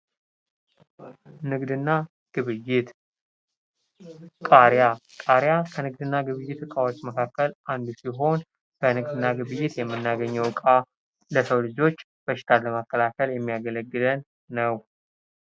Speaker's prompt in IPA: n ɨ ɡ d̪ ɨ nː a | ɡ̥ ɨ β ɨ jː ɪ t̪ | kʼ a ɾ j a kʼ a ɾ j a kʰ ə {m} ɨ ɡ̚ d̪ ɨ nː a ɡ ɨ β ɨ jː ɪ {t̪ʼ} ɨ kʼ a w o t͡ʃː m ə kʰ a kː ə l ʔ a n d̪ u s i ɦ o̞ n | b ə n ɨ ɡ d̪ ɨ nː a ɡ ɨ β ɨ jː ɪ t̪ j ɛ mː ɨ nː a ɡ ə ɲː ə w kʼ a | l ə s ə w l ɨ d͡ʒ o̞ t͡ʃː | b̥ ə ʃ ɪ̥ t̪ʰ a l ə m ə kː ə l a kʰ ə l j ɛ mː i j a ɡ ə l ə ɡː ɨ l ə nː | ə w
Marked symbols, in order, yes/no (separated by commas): no, no